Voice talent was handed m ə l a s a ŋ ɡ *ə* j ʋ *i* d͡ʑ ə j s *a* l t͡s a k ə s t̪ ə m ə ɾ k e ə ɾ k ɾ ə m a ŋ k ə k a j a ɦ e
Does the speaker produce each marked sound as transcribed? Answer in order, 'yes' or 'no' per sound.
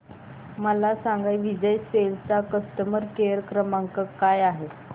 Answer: no, yes, no

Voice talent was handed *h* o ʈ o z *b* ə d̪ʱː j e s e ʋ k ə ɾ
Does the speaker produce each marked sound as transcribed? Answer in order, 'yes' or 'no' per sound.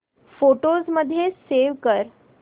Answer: no, no

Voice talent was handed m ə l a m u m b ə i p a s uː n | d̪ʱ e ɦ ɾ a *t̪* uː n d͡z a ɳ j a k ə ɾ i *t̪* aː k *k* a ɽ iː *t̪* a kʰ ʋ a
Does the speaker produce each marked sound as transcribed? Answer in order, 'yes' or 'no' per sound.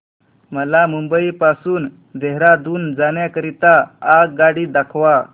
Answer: no, yes, no, no

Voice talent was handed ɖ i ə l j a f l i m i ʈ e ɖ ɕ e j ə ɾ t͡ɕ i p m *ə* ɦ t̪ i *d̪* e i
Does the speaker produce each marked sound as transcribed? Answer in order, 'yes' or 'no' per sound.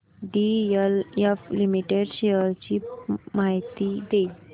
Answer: no, yes

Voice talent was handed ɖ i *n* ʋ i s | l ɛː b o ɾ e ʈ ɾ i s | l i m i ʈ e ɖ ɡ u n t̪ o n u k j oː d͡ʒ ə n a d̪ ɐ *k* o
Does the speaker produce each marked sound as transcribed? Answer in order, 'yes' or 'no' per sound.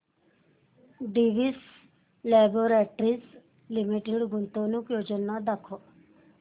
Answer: no, no

